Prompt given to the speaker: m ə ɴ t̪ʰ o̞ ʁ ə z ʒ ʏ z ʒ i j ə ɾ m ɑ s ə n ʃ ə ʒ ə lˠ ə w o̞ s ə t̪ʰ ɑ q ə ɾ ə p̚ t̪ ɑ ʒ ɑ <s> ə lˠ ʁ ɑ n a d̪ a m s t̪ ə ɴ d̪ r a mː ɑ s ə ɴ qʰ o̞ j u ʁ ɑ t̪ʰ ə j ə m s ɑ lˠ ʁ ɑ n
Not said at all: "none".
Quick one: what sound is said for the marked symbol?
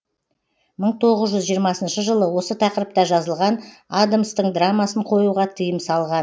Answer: z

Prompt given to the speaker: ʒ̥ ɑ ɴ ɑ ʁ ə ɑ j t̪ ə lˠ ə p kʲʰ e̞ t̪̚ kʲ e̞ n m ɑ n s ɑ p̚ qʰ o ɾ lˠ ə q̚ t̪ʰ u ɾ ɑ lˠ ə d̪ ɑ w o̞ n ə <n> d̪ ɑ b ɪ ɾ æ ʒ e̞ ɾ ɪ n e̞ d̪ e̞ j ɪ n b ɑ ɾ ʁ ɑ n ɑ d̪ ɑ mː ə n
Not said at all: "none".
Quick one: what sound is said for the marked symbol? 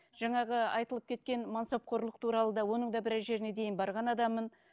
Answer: ɴ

